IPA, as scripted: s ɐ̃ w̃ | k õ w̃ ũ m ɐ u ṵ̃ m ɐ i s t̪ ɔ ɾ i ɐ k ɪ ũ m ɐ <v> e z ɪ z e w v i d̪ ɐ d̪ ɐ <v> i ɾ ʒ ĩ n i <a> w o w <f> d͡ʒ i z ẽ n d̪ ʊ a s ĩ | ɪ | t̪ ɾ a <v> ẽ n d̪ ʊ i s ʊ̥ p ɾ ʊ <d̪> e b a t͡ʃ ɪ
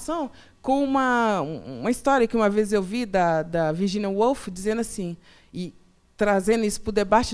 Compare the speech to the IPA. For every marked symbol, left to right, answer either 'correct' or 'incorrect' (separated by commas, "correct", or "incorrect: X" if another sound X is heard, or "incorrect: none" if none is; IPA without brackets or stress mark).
correct, correct, incorrect: ɐ, correct, incorrect: z, correct